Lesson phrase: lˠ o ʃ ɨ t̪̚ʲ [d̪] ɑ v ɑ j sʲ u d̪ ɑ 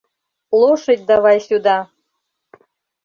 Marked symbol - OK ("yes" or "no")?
yes